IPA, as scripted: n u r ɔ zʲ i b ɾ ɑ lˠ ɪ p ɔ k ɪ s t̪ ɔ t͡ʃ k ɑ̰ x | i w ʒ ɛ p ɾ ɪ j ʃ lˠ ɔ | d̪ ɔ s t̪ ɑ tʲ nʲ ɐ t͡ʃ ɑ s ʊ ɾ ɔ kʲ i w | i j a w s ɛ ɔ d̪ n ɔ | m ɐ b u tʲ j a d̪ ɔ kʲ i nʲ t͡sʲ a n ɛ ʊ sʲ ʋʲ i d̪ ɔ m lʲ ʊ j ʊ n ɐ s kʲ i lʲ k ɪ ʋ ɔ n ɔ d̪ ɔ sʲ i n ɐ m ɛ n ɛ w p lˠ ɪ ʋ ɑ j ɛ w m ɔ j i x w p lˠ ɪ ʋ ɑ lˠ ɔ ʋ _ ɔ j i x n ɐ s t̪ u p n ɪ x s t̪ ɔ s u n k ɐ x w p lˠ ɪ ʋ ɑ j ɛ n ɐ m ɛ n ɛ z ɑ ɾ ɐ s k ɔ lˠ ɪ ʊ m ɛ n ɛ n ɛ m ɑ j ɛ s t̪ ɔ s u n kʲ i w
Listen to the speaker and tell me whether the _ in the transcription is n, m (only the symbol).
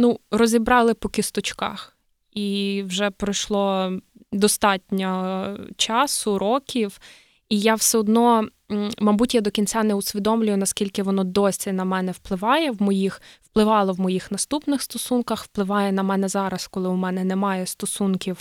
m